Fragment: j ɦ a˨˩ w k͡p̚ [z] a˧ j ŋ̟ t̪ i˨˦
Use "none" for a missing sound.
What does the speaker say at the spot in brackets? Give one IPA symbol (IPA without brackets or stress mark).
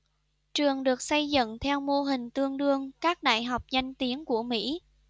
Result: z